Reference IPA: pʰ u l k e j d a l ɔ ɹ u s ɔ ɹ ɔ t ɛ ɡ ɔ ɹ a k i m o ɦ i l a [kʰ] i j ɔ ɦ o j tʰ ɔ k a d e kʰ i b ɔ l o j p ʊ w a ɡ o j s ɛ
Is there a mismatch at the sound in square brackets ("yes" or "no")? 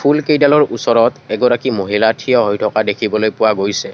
yes